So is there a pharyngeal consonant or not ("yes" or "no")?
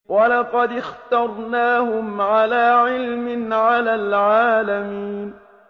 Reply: yes